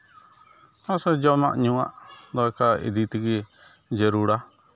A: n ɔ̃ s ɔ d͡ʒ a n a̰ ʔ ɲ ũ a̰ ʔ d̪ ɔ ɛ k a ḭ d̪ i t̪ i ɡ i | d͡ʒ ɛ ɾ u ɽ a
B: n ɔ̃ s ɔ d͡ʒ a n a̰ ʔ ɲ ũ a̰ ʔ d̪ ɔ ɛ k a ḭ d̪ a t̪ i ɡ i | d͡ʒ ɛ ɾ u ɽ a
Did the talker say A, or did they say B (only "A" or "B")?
A